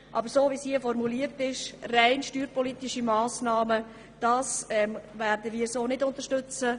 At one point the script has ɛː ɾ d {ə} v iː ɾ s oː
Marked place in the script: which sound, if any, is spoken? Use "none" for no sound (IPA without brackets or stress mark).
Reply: ə